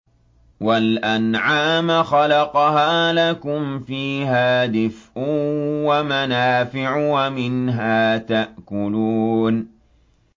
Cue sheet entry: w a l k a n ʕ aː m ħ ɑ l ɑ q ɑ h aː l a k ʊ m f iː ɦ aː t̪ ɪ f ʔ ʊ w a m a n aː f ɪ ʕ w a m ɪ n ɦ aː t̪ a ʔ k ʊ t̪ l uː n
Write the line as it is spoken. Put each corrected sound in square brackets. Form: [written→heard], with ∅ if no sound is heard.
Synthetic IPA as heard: w a l [k→ʔ] a n ʕ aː m [ħ→x] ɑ l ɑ q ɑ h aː l a k ʊ m f iː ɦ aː [t̪→d̪] ɪ f ʔ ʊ w a m a n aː f ɪ ʕ w a m ɪ n ɦ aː t̪ a ʔ k ʊ [t̪→∅] l uː n